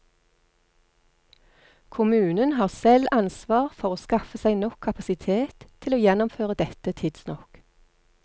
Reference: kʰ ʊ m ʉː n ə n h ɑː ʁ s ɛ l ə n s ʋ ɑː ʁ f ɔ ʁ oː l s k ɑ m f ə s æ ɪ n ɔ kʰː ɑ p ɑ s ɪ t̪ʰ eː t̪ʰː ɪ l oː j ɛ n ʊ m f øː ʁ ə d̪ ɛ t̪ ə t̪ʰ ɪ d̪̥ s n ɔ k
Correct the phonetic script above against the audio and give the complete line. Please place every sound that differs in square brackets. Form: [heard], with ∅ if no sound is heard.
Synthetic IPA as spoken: kʰ ʊ m ʉː n ə n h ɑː ʁ s ɛ l [ɑ] n s ʋ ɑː ʁ f ɔ ʁ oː [∅] s k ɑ [∅] f ə s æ ɪ n ɔ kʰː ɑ p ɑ s ɪ t̪ʰ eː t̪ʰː ɪ l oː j ɛ n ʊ m f øː ʁ ə d̪ ɛ t̪ ə t̪ʰ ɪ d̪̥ s n ɔ k